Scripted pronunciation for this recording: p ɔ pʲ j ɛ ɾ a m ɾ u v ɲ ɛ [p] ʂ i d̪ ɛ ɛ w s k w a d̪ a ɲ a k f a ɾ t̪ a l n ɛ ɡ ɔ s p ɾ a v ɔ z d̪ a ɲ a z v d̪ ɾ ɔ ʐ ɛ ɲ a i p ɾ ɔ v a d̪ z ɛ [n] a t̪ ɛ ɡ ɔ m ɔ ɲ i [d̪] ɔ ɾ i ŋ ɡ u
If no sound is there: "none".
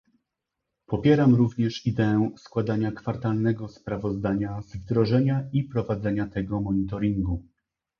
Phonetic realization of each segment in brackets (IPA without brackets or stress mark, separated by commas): none, ɲ, t̪